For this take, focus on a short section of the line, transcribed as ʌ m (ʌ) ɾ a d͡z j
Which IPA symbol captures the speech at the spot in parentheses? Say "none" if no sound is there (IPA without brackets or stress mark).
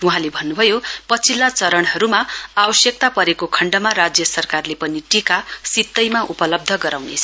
a